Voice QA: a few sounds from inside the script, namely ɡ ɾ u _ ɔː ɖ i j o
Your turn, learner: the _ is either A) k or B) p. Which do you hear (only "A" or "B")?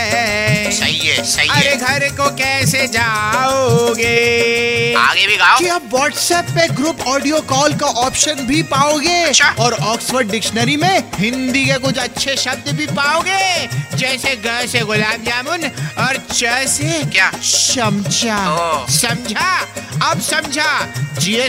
B